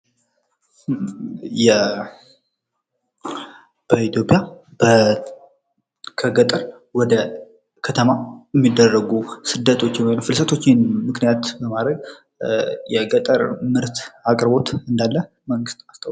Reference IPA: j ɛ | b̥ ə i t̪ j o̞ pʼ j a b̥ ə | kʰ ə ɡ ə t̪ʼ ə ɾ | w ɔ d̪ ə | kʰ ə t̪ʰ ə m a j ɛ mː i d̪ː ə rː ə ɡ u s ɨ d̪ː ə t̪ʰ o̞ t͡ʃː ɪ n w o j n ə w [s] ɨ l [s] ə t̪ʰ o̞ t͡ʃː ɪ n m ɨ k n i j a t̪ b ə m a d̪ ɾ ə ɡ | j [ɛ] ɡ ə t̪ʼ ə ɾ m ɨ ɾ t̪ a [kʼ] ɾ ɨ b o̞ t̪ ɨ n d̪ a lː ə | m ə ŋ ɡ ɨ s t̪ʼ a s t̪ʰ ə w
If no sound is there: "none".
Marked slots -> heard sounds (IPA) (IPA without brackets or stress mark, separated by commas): f, s, ɛ, kʼ